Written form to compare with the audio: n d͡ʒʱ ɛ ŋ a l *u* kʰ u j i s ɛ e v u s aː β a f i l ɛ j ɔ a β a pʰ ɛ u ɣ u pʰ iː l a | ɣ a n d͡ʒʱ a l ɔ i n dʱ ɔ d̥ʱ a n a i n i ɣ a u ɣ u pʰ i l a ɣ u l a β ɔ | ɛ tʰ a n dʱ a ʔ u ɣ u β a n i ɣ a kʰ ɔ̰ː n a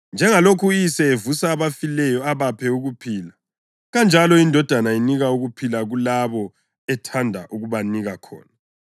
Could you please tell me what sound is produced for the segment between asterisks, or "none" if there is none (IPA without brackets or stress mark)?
o